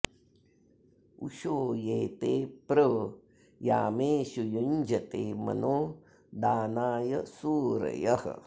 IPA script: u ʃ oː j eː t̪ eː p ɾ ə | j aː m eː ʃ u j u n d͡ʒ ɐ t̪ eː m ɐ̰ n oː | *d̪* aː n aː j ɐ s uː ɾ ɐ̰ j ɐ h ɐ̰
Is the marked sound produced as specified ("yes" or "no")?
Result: yes